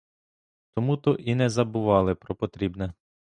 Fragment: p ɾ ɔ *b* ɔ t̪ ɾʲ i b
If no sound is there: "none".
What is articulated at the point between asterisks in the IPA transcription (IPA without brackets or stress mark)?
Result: p